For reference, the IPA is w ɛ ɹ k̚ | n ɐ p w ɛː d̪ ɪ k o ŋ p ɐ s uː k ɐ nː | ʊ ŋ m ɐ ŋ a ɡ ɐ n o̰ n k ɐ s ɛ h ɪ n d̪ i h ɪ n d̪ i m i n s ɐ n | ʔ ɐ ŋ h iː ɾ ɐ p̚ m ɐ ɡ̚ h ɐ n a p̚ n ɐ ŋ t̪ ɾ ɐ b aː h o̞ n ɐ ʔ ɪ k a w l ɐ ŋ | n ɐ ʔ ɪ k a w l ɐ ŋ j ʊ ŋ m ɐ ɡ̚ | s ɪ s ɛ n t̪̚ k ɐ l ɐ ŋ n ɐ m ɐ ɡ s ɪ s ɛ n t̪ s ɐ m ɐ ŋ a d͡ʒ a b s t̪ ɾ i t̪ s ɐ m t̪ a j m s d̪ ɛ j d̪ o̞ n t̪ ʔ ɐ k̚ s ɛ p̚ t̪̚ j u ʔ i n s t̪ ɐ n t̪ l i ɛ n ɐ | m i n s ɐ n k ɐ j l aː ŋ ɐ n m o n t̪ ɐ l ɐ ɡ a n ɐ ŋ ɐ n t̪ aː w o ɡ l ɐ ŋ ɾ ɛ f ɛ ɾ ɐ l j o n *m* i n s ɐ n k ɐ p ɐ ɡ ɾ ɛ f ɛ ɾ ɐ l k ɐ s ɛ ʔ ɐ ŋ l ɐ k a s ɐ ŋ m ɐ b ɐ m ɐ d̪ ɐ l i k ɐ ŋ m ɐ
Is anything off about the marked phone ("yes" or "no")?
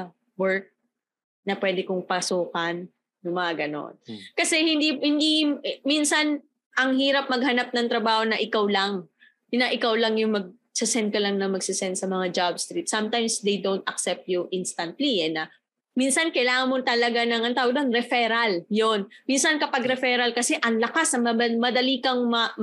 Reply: no